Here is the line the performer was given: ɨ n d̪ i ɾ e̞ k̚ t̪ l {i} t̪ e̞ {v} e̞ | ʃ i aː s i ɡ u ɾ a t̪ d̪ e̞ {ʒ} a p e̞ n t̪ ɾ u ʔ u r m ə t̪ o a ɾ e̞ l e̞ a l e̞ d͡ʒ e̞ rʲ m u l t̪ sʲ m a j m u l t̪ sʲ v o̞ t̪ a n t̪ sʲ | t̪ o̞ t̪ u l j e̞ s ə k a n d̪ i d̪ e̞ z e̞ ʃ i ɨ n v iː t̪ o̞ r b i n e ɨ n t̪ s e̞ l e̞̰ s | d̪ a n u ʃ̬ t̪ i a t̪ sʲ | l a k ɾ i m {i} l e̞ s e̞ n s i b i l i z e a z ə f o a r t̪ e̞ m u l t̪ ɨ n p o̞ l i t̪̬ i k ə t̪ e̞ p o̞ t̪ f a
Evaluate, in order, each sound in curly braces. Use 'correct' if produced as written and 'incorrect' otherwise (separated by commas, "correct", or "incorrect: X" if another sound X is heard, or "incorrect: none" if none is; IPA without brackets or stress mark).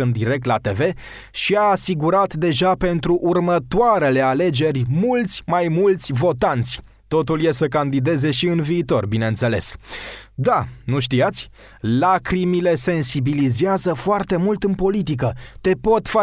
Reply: incorrect: a, correct, correct, correct